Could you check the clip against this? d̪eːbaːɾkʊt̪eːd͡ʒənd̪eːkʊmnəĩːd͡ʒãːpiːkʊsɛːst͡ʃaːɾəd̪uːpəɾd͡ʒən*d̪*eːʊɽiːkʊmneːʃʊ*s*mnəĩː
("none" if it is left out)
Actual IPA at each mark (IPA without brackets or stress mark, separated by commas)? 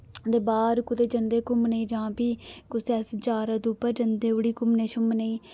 d̪, none